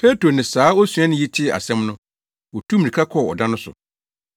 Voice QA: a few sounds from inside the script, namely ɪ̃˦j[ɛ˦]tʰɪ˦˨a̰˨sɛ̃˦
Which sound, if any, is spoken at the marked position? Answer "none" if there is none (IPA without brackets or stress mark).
i˦